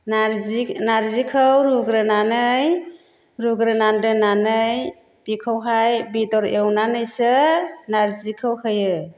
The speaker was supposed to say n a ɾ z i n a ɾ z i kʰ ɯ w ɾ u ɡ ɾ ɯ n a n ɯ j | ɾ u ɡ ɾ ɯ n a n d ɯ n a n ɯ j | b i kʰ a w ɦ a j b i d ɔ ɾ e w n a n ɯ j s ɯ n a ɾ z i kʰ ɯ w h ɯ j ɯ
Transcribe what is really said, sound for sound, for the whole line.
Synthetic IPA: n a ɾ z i n a ɾ z i kʰ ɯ w ɾ u ɡ ɾ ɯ n a n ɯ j | ɾ u ɡ ɾ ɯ n a n d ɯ n a n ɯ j | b i kʰ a w ɦ a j b i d ɔ ɾ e w n a n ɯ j s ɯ n a ɾ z i kʰ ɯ w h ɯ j ɯ